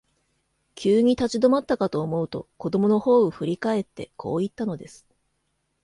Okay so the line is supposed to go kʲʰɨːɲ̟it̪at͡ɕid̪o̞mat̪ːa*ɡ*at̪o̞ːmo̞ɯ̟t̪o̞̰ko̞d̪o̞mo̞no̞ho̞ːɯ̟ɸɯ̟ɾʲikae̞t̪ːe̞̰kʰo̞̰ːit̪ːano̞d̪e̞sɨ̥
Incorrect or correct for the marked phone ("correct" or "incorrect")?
incorrect